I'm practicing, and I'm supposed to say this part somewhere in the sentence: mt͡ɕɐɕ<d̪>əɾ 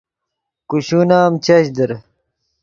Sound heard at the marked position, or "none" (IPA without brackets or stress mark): d̪